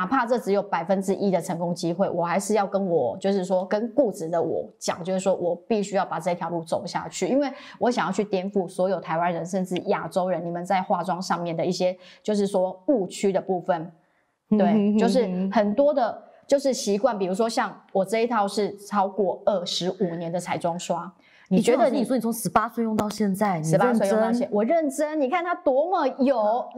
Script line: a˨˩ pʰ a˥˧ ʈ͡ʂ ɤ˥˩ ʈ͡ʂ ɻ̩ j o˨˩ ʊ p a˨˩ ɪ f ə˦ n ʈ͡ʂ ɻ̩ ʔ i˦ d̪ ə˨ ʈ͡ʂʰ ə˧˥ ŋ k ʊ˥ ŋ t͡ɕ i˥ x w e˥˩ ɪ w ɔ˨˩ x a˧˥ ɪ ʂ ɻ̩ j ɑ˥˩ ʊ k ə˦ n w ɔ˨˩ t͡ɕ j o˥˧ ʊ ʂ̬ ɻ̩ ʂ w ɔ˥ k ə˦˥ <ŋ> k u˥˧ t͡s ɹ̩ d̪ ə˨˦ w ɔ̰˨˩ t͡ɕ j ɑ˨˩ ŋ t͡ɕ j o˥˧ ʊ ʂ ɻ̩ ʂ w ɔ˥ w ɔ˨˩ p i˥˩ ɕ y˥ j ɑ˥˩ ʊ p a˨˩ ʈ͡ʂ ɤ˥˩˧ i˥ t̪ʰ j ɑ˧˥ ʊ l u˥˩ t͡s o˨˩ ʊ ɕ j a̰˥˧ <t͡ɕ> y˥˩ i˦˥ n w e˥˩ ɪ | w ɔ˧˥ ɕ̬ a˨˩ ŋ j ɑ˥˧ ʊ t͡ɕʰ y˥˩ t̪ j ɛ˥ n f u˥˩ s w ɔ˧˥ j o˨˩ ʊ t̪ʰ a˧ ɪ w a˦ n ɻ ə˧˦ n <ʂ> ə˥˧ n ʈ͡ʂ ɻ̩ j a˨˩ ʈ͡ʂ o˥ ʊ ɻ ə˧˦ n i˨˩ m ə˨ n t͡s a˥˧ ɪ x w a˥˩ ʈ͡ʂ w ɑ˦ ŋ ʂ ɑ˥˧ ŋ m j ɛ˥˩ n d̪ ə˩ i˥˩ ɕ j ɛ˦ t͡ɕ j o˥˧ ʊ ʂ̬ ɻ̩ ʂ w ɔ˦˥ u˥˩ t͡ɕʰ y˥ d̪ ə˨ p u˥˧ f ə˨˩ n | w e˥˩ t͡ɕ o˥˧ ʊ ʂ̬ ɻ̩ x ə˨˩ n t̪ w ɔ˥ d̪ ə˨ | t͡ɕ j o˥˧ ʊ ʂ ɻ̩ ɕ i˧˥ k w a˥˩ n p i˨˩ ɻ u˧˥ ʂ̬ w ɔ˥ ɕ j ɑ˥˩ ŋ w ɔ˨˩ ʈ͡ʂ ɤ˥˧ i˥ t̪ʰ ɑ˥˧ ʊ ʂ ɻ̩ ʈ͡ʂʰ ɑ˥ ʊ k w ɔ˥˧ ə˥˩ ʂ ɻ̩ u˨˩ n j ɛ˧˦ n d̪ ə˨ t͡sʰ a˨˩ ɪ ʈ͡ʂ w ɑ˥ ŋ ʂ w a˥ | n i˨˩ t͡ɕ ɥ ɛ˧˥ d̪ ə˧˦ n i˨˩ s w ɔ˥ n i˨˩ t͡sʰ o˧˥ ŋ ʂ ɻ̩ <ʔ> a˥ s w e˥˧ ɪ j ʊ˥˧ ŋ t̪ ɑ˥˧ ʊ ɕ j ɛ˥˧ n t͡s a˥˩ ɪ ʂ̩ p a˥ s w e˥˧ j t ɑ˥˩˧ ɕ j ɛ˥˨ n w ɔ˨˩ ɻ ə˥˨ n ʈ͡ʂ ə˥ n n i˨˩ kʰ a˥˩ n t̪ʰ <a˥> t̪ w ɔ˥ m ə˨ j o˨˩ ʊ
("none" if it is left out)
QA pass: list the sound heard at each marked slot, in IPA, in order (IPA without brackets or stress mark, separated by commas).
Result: n, t͡ɕʰ, ʂ, p, a˥